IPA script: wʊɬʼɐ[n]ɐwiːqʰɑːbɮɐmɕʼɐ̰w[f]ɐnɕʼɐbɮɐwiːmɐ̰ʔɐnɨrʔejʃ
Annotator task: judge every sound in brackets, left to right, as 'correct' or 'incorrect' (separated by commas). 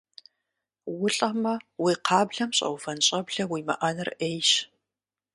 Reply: incorrect, correct